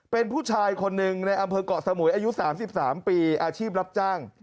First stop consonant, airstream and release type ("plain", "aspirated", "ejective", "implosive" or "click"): plain